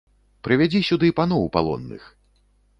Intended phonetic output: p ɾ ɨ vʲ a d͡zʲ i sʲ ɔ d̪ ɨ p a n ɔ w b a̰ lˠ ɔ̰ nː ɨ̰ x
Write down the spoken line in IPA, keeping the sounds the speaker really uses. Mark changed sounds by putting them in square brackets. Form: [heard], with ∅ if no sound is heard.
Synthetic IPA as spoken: p ɾ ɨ vʲ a d͡zʲ i sʲ [u] d̪ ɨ p a n ɔ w [p] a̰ lˠ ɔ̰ nː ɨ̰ x